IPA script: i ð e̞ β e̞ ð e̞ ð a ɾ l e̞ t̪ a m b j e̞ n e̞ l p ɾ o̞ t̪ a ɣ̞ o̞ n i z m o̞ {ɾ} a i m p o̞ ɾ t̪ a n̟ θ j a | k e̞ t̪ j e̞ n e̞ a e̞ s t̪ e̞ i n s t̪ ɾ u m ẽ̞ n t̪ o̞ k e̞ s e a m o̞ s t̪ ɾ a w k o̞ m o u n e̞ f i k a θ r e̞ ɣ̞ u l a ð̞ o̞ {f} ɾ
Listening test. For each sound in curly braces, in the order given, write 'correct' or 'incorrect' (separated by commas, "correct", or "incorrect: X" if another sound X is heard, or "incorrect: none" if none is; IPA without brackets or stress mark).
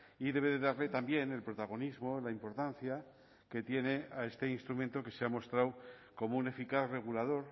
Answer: incorrect: l, incorrect: none